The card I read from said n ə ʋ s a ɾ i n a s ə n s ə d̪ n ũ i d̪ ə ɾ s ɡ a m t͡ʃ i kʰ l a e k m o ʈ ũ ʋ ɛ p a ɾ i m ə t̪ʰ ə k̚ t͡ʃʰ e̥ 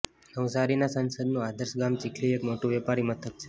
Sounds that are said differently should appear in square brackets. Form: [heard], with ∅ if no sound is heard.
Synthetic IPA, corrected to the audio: n ə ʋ s a ɾ i n a s ə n s ə d̪ n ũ [a] d̪ ə ɾ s ɡ a m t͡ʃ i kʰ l [i] e k m o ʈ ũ ʋ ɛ p a ɾ i m ə t̪ʰ ə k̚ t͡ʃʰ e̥